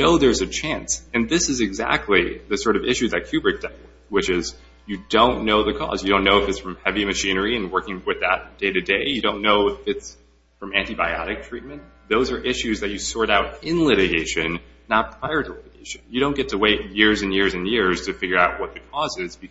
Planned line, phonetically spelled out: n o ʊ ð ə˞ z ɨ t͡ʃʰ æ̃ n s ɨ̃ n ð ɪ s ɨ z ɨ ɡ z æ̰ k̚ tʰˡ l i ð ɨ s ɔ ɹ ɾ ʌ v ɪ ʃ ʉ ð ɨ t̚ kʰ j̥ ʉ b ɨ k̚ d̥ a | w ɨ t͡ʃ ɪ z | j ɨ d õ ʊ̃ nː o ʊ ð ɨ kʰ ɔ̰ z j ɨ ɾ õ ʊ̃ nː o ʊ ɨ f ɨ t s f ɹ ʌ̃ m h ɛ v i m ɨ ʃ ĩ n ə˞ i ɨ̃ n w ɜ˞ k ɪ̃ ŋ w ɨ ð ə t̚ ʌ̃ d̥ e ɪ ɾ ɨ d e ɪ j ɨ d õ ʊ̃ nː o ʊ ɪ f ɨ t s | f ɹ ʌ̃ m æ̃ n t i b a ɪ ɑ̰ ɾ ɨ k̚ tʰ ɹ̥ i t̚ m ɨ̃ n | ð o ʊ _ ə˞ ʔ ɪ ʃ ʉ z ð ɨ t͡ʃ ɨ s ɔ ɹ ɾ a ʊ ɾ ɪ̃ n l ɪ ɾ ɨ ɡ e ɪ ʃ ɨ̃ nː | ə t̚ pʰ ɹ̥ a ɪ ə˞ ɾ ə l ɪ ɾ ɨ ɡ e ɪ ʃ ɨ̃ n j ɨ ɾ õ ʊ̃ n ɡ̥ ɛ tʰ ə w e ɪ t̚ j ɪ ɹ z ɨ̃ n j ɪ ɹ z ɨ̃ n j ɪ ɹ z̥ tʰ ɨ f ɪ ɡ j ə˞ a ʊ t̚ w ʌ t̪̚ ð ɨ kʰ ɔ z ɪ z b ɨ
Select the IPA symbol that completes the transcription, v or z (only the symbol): z